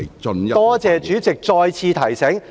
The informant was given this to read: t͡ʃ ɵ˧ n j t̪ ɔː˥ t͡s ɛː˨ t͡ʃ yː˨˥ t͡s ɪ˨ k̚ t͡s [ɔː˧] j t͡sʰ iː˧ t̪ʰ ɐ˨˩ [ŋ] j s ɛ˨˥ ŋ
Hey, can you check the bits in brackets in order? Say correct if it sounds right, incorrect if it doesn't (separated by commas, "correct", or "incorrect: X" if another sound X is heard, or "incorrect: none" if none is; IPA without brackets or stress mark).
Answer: correct, incorrect: none